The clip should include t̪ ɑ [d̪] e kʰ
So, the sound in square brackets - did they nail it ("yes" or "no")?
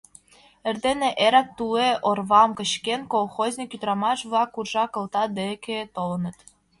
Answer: yes